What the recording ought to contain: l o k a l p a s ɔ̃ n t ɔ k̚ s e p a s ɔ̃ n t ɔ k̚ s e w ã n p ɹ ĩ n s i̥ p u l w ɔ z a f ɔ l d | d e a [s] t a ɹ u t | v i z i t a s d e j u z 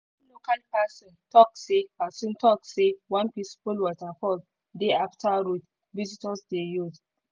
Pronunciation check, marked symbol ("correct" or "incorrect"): incorrect